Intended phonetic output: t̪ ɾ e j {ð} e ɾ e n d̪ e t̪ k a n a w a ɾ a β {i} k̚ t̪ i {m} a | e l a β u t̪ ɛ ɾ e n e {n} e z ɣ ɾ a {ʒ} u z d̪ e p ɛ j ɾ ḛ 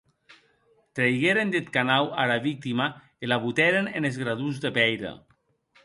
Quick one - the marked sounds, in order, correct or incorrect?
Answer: incorrect: ɣ, correct, correct, correct, incorrect: ð

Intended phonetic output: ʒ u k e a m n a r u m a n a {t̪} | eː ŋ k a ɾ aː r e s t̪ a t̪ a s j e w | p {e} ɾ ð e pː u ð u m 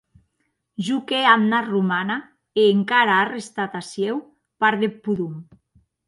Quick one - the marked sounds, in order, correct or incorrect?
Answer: incorrect: none, incorrect: a

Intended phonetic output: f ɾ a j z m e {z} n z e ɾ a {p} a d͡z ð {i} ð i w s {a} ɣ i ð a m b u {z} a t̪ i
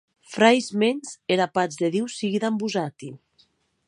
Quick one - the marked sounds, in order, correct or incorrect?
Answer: incorrect: none, correct, incorrect: e, incorrect: i, correct

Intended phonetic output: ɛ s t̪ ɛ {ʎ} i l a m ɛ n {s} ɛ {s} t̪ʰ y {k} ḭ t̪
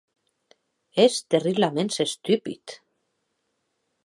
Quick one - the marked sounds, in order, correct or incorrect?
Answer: incorrect: r, correct, correct, incorrect: p

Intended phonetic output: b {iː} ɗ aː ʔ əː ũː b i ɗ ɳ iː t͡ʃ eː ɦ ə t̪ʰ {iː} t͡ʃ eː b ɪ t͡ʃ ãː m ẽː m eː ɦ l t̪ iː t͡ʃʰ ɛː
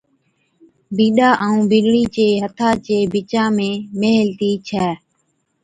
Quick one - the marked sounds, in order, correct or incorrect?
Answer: correct, incorrect: aː

